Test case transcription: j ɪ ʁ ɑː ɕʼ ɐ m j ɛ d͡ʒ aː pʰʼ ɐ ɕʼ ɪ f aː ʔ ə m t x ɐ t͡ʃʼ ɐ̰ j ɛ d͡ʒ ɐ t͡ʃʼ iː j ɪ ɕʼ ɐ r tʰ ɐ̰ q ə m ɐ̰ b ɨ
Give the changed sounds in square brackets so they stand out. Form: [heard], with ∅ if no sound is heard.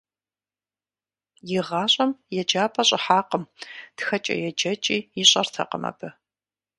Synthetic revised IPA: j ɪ ʁ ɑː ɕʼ ɐ m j ɛ d͡ʒ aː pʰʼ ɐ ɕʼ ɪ [ħ] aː [q] ə m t x ɐ t͡ʃʼ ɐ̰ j ɛ d͡ʒ ɐ t͡ʃʼ iː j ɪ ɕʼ ɐ r tʰ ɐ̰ q ə m ɐ̰ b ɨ